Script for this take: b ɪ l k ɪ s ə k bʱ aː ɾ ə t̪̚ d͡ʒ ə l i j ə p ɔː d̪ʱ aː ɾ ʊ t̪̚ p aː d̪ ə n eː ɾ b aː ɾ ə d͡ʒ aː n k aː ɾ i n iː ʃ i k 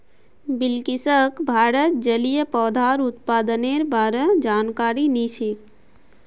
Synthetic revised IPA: b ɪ l k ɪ s ə k bʱ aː ɾ ə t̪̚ d͡ʒ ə l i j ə p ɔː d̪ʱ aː ɾ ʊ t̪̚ p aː d̪ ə n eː ɾ b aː ɾ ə d͡ʒ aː n k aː ɾ i n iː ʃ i k

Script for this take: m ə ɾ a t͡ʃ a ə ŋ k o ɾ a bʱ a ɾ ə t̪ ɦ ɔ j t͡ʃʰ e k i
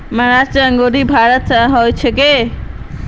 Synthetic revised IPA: m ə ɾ a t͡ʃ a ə ŋ ɡ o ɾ i bʱ a ɾ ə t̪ ɦ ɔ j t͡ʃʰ e k e

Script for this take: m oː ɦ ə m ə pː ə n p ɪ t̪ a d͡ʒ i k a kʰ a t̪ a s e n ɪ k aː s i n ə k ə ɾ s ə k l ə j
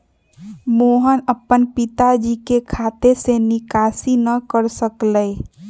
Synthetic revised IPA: m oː ɦ ə n ə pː ə n p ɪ t̪ a d͡ʒ i k e kʰ a t̪ e s e n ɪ k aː s i n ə k ə ɾ s ə k l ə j

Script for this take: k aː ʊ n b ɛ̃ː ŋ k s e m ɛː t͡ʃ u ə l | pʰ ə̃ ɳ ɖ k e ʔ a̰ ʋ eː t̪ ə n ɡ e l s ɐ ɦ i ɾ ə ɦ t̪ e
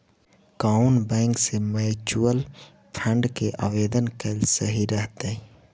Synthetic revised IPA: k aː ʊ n b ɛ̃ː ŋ k s e m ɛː t͡ʃ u ə l | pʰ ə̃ ɳ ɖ k e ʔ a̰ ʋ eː d̪ ə n k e l s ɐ ɦ i ɾ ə ɦ t̪ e

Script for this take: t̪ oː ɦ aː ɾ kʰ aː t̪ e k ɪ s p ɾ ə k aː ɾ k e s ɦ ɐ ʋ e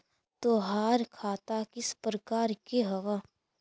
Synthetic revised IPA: t̪ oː ɦ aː ɾ kʰ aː t̪ a k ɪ s p ɾ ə k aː ɾ k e ɦ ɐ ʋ a

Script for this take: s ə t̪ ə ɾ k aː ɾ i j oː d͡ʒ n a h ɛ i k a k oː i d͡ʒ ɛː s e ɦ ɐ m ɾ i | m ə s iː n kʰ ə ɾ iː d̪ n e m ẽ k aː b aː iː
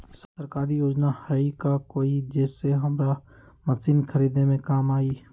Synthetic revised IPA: s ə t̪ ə ɾ k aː ɾ i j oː d͡ʒ n a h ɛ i k a k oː i d͡ʒ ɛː s e ɦ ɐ m ɾ a | m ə s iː n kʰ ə ɾ iː d̪ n e m ẽ k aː m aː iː

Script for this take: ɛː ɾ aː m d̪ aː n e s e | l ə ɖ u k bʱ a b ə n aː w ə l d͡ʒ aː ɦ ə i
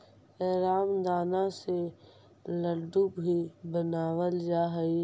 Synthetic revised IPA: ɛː ɾ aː m d̪ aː n a s e | l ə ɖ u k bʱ i b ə n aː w ə l d͡ʒ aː ɦ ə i

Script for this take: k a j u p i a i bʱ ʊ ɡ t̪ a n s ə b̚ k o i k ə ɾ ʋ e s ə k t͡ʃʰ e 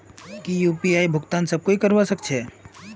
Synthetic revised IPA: k i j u p i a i bʱ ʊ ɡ t̪ a n s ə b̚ k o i k ə ɾ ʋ a s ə k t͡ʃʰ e

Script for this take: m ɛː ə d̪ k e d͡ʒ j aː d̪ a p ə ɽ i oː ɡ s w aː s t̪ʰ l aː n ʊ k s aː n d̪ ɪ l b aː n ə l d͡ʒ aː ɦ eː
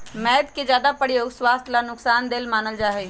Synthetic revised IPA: m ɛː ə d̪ k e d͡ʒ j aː d̪ a p ə ɽ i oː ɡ s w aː s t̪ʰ l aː n ʊ k s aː n d̪ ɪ l m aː n ə l d͡ʒ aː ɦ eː

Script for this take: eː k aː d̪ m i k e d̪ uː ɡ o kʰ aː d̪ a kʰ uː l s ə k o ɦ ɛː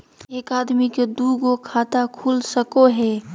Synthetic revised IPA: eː k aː d̪ m i k e d̪ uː ɡ o kʰ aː t̪ a kʰ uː l s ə k o ɦ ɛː

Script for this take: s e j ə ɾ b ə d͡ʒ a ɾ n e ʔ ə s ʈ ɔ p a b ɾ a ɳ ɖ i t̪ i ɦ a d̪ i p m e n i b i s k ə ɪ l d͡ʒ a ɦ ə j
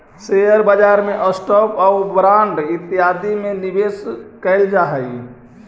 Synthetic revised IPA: s e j ə ɾ b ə d͡ʒ a ɾ m e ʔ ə s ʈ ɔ p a b ɾ a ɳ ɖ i t̪ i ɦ a d̪ i m e n i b e s k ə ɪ l d͡ʒ a ɦ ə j

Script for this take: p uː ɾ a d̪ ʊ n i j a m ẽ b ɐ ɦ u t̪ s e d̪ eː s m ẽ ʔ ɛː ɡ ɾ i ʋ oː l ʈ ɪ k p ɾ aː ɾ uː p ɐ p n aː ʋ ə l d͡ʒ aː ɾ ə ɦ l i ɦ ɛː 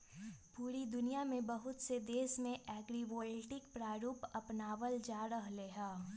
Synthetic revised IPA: p uː ɾ i d̪ ʊ n i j a m ẽ b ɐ ɦ ʊ t̪ s e d̪ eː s m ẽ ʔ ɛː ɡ ɾ i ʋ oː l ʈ ɪ k p ɾ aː ɾ uː p ɐ p n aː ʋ ə l d͡ʒ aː ɾ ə ɦ l e ɦ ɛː

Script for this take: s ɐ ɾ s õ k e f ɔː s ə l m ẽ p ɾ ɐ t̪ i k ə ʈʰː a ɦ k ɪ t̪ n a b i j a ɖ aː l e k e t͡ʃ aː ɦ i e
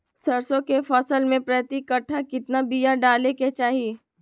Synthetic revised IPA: s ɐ ɾ s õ k e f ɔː s ə l m ẽ p ɾ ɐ t̪ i k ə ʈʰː a k ɪ t̪ n a b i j a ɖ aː l e k e t͡ʃ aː ɦ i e

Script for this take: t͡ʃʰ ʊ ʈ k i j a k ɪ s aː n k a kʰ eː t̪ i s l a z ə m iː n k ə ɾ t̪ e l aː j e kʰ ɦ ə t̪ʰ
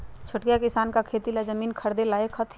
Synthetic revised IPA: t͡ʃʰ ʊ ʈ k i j a k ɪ s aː n k a kʰ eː t̪ i l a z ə m iː n kʰ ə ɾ d̪ e l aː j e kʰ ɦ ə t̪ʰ

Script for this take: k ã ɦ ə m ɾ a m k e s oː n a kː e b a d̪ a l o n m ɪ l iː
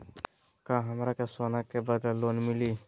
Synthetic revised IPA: k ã ɦ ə m ɾ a k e s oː n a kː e b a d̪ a l o n m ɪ l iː

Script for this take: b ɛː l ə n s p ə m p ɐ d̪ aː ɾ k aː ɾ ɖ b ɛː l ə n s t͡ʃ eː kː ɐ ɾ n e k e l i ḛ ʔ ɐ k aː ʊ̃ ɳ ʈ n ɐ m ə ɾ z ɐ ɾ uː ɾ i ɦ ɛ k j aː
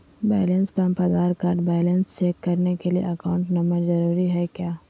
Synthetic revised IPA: b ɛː l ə n s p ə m p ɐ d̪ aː ɾ k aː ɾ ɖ b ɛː l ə n s t͡ʃ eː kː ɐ ɾ n e k e l i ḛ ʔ ɐ k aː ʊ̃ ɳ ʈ n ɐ m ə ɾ z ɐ ɾ uː ɾ i ɦ ɛ k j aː

